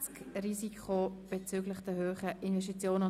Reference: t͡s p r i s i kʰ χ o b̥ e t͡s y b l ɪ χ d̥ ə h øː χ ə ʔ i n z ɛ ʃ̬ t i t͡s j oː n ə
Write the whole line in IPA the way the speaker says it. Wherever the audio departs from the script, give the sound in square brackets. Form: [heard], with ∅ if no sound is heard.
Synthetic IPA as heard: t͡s [k] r i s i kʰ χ o b̥ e t͡s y [ɡ] l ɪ χ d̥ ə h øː χ ə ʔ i n [v] ɛ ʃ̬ t i t͡s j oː n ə